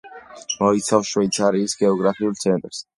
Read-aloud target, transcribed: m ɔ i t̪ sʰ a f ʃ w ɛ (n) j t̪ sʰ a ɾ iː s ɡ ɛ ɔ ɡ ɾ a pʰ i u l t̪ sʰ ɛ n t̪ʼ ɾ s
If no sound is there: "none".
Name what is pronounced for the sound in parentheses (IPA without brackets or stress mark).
none